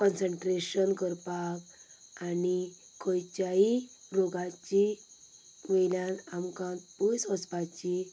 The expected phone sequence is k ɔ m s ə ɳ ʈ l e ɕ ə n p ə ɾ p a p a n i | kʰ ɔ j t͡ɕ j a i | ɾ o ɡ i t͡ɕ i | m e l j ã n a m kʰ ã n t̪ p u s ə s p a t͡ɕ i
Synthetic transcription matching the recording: k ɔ n s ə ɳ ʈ ɾ e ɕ ə n k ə ɾ p a k a n i | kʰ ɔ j t͡ɕ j a i | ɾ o ɡ a t͡ɕ i | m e l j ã n a m k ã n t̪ p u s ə s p a t͡ɕ i

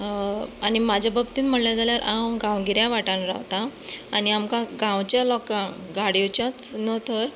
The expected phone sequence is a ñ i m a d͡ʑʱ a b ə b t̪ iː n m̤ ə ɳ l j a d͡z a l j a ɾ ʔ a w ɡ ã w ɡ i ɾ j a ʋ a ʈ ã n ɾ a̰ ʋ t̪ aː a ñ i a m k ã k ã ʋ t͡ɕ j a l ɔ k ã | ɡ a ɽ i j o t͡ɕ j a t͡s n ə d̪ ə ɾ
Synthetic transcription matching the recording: a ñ i m a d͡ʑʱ a b ə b t̪ iː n m̤ ə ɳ l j a d͡z a l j a ɾ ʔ a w ɡ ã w ɡ i ɾ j a ʋ a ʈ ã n ɾ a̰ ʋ t̪ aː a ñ i a m k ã ɡ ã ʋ t͡ɕ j a l ɔ k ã | ɡ a ɽ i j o t͡ɕ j a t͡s n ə t̪ ə ɾ

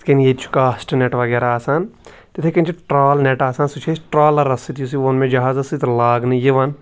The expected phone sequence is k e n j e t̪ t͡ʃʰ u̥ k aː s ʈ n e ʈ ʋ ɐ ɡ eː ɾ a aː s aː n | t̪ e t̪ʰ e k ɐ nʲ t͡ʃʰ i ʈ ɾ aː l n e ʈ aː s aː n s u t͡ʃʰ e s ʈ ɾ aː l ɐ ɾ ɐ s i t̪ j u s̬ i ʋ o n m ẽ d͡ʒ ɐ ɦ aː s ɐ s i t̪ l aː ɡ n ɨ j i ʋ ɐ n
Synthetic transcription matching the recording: k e n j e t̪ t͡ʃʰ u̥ k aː s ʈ n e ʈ ʋ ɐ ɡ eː ɾ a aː s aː n | t̪ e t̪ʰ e k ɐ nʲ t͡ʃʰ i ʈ ɾ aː l n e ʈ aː s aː n s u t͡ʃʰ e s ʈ ɾ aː l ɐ ɾ ɐ s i t̪ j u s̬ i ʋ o n m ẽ d͡ʒ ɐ ɦ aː z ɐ s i t̪ l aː ɡ n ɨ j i ʋ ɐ n

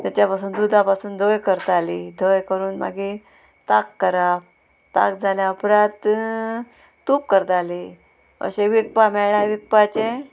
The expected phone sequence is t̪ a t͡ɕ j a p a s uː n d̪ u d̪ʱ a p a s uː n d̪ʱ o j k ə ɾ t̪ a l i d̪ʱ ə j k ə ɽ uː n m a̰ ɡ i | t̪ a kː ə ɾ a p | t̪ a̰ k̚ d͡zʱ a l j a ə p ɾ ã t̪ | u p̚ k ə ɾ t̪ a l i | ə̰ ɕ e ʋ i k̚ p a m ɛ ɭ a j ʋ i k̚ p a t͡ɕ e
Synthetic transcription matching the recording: t̪ a t͡ɕ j a p a s uː n d̪ u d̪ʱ a p a s uː n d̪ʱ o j k ə ɾ t̪ a l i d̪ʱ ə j k ə ɾ uː n m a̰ ɡ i | t̪ a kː ə ɾ a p | t̪ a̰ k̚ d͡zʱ a l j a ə p ɾ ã t̪ | u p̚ k ə ɾ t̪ a l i | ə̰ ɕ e ʋ i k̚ p a m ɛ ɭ a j ʋ i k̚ p a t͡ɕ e

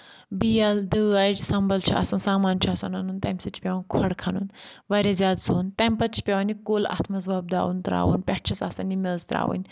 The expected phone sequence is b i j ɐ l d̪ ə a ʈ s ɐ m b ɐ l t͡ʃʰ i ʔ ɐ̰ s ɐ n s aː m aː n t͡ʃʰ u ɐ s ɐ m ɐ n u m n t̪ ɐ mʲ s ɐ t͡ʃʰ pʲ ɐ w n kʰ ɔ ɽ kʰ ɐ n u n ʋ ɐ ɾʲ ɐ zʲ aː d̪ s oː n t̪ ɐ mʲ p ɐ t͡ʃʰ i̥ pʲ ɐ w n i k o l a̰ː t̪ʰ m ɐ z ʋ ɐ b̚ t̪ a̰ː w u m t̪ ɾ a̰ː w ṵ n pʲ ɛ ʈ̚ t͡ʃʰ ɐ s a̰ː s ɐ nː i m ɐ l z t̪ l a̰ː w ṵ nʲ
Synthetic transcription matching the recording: b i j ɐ l d̪ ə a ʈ s ɐ m b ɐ l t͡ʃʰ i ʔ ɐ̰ s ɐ n s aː m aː n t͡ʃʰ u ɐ s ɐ n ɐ n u n t̪ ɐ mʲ s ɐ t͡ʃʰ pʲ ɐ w n kʰ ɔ ɽ kʰ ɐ n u n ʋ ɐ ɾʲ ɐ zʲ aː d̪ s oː n t̪ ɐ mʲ p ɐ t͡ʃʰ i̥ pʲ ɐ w n i k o l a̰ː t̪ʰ m ɐ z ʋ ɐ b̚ d̪ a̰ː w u n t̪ ɾ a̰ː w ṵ n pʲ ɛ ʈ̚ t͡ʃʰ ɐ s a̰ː s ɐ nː i m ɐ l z t̪ ɾ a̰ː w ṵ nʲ

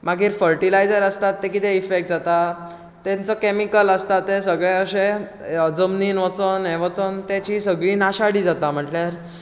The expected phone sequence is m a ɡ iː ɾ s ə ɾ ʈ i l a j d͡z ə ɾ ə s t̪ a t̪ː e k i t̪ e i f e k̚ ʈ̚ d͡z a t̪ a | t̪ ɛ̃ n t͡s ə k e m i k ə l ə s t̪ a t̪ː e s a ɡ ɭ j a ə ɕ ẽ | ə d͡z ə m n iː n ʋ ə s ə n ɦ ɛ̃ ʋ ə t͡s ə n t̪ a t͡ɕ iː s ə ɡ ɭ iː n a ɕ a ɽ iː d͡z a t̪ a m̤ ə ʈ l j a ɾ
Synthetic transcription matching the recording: m a ɡ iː ɾ f ə ɾ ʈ i l a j d͡z ə ɾ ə s t̪ a t̪ː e k i t̪ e i f e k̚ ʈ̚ d͡z a t̪ a | t̪ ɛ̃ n t͡s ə k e m i k ə l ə s t̪ a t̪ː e s ə ɡ ɭ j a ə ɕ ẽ | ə d͡z ə m n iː n ʋ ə t͡s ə n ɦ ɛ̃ ʋ ə t͡s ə n t̪ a t͡ɕ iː s ə ɡ ɭ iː n a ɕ a ɽ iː d͡z a t̪ a m̤ ə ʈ l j a ɾ

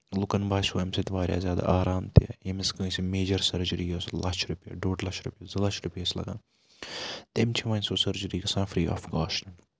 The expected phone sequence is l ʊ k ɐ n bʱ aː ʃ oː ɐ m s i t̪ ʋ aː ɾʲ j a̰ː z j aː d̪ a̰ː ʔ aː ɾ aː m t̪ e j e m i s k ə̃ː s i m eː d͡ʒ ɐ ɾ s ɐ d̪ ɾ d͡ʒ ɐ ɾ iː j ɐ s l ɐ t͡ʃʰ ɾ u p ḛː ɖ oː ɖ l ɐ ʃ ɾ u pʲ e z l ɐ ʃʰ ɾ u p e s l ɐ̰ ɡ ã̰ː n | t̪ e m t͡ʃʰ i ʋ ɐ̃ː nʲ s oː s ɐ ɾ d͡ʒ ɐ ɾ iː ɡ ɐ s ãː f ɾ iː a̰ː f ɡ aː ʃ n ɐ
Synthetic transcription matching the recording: l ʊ k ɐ n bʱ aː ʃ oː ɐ m s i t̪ ʋ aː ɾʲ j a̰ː z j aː d̪ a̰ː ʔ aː ɾ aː m t̪ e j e m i s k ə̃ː s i m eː d͡ʒ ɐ ɾ s ɐ ɾ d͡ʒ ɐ ɾ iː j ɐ s l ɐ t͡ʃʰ ɾ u p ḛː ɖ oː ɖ l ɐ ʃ ɾ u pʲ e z l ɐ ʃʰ ɾ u p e s l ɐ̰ ɡ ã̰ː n | t̪ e m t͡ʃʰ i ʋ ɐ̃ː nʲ s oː s ɐ ɾ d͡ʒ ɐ ɾ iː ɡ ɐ s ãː f ɾ iː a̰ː f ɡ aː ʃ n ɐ

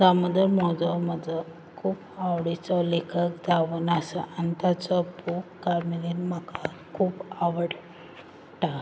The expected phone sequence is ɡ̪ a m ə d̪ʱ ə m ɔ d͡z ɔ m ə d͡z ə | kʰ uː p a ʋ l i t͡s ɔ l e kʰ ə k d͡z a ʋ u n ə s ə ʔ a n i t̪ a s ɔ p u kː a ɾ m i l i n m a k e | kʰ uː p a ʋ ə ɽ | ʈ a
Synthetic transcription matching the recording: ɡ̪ a m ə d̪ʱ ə m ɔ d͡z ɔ m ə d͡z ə | kʰ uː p a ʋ ɽ i t͡s ɔ l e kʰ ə k d͡z a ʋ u n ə s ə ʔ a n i t̪ a t͡s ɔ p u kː a ɾ m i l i n m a k a | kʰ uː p a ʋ ə ɽ | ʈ a

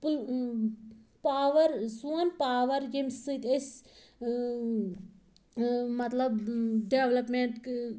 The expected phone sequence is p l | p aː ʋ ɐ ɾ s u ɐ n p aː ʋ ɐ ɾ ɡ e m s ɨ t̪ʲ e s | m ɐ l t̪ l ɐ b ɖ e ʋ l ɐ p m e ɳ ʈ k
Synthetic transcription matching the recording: p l | p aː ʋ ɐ ɾ s u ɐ n p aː ʋ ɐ ɾ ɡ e m s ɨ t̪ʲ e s | m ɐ t̪ l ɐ b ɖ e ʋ l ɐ p m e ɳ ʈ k

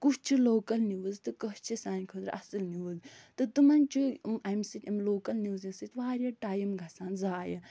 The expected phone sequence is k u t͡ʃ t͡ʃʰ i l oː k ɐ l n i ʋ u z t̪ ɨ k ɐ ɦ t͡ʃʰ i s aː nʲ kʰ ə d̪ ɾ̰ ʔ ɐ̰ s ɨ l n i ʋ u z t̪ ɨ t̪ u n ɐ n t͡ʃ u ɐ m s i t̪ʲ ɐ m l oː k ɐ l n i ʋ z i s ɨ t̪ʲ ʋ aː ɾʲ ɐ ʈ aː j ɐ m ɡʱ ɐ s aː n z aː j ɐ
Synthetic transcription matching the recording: k u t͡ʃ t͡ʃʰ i l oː k ɐ l n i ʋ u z t̪ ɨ k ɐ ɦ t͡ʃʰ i s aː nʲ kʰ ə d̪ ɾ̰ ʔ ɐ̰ s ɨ l n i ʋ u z t̪ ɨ t̪ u m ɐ n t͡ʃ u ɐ m s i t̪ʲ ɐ m l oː k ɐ l n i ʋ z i s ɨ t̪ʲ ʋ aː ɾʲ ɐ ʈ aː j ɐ m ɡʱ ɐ s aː n z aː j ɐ

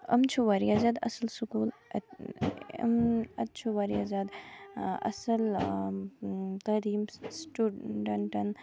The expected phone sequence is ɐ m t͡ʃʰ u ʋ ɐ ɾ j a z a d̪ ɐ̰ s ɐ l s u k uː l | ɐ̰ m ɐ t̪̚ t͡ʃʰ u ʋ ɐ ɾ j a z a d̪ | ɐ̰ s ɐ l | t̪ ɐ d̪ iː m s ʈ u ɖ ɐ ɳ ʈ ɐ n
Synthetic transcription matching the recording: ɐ m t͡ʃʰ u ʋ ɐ ɾ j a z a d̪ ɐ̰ s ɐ l s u k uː l | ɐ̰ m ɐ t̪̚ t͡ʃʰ u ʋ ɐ ɾ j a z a d̪ | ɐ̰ s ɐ l | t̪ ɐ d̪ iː m s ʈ u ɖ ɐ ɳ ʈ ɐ n

